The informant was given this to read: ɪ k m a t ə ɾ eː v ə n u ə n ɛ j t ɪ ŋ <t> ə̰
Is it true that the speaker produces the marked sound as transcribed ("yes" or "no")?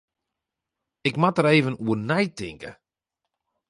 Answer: no